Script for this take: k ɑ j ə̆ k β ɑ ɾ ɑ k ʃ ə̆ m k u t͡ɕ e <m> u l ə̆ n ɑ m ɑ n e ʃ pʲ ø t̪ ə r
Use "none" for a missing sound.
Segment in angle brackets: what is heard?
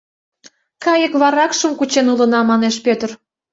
n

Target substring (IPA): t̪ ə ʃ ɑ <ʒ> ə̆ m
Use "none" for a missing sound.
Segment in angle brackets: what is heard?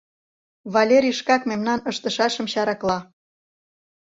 ʃ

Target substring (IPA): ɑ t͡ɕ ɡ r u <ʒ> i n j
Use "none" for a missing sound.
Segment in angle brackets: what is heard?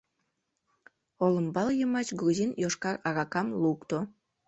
z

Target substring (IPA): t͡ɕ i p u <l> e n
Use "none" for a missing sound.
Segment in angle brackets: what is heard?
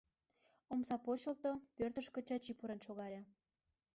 ɾ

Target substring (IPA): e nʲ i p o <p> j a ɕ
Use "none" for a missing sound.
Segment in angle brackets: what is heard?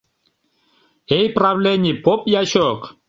p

